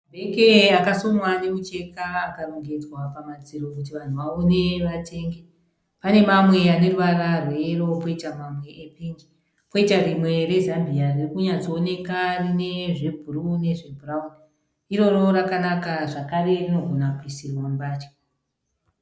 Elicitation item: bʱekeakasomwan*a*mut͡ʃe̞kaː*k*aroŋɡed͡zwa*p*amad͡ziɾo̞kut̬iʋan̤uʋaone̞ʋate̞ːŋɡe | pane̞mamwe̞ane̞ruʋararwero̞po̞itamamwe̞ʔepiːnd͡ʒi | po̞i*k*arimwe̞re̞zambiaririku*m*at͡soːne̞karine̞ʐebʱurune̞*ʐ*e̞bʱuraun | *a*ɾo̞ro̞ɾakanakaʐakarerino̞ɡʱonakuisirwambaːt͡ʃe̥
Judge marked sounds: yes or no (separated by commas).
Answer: no, yes, yes, no, no, yes, no